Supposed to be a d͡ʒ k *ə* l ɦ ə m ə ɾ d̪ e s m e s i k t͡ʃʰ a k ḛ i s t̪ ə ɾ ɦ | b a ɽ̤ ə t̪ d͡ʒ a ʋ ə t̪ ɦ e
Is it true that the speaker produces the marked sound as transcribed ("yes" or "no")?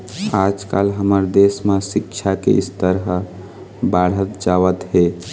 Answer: no